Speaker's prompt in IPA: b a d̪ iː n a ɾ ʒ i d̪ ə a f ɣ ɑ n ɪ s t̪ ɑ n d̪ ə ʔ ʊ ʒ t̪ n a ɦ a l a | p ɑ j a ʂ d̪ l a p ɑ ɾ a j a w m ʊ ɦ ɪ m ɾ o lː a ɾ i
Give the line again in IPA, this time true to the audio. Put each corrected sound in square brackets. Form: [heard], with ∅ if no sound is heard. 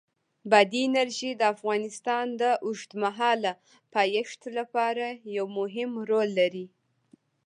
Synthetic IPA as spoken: b a d̪ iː n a ɾ ʒ i d̪ ə a f ɣ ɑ n ɪ s t̪ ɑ n d̪ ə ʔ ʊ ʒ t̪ [m] a ɦ [ɑ] l a | p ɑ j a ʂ [t̪] l a p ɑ ɾ a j a w m ʊ ɦ ɪ m ɾ o lː a ɾ i